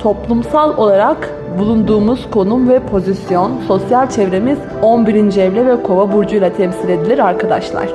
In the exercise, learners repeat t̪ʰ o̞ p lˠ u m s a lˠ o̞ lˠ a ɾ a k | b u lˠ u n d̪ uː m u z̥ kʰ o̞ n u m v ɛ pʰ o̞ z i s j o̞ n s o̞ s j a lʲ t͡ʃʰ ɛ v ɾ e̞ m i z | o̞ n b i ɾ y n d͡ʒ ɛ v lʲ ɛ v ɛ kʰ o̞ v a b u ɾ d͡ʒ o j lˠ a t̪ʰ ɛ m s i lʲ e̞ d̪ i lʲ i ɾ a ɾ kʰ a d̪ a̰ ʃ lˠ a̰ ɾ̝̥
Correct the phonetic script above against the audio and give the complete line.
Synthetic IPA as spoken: t̪ʰ o̞ p lˠ u m s a lˠ o̞ lˠ a ɾ a k | b u lˠ u n d̪ uː m u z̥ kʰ o̞ n u m v ɛ pʰ o̞ z i s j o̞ n s o̞ s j a lʲ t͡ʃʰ ɛ v ɾ e̞ m i z | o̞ n b i ɾ i n d͡ʒ ɛ v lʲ ɛ v ɛ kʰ o̞ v a b u ɾ d͡ʒ u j lˠ a t̪ʰ ɛ m s i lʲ e̞ d̪ i lʲ i ɾ a ɾ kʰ a d̪ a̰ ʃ lˠ a̰ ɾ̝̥